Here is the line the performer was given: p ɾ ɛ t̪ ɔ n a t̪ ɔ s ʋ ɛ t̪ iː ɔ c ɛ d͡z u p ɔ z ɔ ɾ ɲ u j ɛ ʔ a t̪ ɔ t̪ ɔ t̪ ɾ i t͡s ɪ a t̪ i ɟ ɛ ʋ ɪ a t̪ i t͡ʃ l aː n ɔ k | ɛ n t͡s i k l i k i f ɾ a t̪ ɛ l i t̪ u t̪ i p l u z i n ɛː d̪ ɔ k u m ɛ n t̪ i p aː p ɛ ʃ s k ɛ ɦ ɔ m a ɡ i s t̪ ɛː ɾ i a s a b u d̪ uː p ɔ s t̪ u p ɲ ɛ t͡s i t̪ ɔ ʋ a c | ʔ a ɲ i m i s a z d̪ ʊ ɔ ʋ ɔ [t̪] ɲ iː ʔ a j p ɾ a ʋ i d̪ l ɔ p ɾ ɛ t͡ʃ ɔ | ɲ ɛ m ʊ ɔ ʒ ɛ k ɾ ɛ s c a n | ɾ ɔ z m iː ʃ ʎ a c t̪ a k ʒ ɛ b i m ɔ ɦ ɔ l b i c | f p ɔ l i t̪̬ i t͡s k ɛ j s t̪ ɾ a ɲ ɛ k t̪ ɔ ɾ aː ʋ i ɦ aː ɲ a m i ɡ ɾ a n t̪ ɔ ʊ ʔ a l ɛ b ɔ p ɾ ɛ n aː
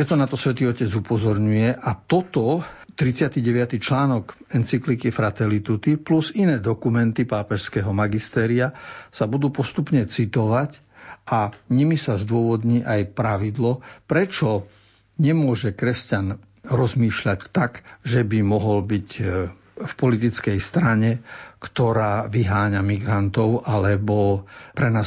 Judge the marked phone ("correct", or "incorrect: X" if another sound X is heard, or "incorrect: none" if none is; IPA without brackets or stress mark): incorrect: d̪